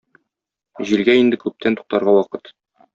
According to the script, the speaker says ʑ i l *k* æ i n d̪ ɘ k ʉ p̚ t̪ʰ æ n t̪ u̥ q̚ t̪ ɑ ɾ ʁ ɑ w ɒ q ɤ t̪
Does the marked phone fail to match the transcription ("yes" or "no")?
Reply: yes